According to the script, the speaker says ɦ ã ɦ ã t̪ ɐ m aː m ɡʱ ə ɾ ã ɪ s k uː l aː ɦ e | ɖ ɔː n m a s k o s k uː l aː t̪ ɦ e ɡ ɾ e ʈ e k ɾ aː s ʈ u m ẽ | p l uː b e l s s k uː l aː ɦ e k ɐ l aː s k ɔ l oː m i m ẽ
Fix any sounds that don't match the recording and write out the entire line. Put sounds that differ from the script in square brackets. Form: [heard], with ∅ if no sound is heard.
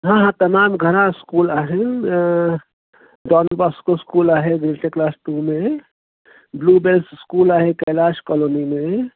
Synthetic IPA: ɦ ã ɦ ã t̪ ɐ m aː m ɡʱ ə ɾ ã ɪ s k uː l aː ɦ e | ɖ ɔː n [b] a s k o s k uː l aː [∅] ɦ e ɡ ɾ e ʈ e k [l] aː s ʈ u m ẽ | [b] l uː b e l s s k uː l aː ɦ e k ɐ l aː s k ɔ l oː [n] i m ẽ

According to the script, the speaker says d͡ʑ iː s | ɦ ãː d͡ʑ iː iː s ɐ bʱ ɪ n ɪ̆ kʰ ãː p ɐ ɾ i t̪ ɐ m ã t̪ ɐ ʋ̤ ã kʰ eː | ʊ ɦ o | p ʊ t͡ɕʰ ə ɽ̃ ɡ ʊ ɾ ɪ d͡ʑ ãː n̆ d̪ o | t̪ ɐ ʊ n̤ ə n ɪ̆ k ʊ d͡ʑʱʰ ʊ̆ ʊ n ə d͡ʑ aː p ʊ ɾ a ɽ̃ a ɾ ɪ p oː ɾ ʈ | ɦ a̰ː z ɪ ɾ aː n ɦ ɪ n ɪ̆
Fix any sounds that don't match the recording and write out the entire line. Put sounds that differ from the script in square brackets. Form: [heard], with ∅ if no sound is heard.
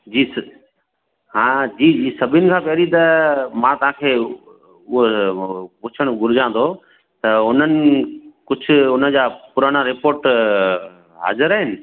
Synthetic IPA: d͡ʑ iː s | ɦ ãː d͡ʑ iː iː s ɐ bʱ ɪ n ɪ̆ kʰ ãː p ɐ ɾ i t̪ ɐ m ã t̪ ɐ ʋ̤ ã kʰ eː | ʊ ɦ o | p ʊ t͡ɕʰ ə ɽ̃ ɡ ʊ ɾ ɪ d͡ʑ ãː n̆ d̪ o | t̪ ɐ ʊ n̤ ə n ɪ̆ k ʊ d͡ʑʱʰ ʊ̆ ʊ n ə d͡ʑ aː p ʊ ɾ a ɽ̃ a ɾ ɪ p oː ɾ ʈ | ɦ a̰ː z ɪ ɾ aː [∅] ɦ ɪ n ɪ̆

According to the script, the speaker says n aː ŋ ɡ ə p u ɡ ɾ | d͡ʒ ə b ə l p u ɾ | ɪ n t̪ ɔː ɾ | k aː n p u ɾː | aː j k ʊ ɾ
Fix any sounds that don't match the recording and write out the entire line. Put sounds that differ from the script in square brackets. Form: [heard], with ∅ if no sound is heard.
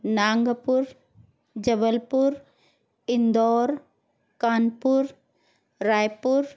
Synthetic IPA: n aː ŋ ɡ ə p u [∅] ɾ | d͡ʒ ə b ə l p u ɾ | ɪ n [d̪] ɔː ɾ | k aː n p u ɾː | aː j [p] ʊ ɾ

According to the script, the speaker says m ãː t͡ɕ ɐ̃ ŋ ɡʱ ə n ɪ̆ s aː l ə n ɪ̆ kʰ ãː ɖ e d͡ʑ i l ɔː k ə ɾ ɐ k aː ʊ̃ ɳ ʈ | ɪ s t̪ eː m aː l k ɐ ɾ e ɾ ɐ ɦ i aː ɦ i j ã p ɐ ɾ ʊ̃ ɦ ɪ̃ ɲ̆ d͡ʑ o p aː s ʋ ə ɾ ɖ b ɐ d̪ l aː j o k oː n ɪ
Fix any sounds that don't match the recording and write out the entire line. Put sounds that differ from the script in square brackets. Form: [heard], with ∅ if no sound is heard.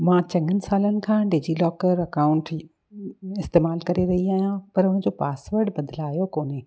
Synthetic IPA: m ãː t͡ɕ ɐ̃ ŋ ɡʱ ə n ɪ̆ s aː l ə n ɪ̆ kʰ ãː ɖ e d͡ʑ i l ɔː k ə ɾ ɐ k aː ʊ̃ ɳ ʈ | ɪ s t̪ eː m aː l k ɐ ɾ e ɾ ɐ ɦ i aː ɦ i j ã p ɐ ɾ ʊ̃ ɦ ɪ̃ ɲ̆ d͡ʑ o p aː s ʋ ə ɾ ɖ b ɐ d̪ l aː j o k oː n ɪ

